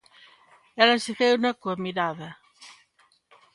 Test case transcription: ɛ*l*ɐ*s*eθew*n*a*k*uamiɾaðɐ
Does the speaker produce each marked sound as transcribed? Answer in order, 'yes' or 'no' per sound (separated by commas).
yes, yes, yes, yes